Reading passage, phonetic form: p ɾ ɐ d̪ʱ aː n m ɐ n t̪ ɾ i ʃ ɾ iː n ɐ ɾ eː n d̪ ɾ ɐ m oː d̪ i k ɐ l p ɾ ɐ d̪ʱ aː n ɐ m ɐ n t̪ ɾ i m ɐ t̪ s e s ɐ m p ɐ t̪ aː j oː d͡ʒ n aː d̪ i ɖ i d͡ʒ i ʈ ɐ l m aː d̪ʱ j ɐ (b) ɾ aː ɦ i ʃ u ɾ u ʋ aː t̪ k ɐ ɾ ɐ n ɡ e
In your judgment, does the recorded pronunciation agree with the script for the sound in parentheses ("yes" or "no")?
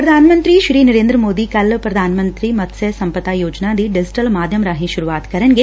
no